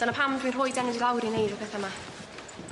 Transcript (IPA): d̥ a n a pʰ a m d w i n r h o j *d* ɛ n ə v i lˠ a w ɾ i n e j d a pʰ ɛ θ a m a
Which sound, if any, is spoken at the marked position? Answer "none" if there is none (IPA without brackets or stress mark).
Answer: d